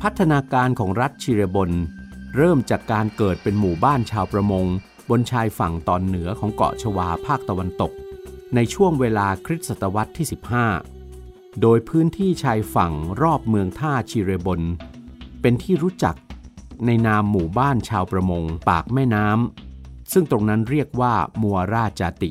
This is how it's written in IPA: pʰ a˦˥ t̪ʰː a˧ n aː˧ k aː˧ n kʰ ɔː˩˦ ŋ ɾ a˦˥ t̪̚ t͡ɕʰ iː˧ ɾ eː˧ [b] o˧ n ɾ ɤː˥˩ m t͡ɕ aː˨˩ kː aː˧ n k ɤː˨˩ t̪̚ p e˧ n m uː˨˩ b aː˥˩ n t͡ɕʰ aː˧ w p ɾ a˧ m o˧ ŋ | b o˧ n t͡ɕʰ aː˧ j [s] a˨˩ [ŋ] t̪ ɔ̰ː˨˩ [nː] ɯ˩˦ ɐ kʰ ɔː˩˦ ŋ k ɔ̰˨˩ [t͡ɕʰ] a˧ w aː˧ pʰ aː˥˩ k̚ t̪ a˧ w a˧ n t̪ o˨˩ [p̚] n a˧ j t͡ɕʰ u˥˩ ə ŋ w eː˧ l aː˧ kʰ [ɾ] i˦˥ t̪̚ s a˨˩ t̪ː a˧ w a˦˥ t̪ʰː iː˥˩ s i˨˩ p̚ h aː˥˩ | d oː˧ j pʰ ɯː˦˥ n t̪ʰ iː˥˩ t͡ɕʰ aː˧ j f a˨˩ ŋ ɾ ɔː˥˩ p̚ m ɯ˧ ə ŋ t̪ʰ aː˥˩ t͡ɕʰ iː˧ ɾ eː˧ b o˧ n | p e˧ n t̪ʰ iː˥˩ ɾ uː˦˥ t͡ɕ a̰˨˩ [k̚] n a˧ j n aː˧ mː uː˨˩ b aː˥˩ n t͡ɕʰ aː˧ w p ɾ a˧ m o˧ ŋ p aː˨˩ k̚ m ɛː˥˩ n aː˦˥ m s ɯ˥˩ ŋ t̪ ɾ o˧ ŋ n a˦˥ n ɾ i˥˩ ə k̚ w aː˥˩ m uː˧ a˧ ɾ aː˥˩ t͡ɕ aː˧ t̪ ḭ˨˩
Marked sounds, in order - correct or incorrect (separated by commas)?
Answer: correct, incorrect, correct, correct, correct, incorrect, correct, correct